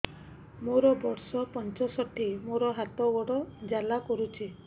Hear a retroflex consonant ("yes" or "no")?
yes